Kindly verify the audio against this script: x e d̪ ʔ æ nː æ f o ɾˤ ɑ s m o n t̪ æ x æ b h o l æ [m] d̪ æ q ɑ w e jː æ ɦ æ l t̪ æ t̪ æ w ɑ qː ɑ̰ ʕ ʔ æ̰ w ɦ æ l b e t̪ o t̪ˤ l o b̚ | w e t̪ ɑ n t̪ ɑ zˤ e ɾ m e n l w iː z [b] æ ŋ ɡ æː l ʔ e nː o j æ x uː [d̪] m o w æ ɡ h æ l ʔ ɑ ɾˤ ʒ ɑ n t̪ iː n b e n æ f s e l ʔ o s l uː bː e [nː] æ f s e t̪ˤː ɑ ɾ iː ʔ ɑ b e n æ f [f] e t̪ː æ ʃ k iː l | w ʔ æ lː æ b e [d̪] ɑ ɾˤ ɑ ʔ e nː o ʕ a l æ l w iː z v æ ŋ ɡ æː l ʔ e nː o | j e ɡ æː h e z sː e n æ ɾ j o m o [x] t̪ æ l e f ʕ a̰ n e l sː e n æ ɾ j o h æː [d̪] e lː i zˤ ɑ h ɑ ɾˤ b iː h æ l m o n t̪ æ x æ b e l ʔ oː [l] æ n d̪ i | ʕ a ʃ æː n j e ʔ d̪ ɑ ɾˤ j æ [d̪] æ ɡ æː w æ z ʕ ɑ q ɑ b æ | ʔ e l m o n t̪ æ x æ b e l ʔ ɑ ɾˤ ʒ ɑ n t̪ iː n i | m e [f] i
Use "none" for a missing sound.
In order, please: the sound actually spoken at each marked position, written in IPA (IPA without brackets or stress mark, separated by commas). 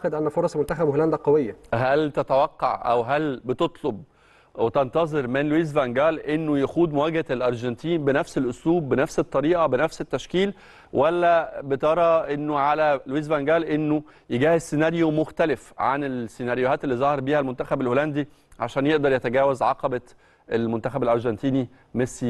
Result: n, v, d̪, n, s, t̪, x, t̪, l, t̪, s